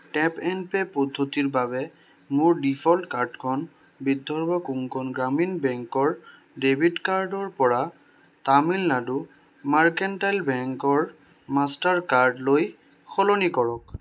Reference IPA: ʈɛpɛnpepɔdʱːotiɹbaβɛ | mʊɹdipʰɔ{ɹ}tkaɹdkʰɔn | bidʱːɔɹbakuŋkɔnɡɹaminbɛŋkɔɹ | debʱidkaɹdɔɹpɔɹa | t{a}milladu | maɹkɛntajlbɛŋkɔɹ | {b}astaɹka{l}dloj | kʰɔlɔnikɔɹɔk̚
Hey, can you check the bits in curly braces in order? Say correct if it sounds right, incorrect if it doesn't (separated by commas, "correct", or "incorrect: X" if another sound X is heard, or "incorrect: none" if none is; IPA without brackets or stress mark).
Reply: incorrect: l, correct, incorrect: m, incorrect: ɹ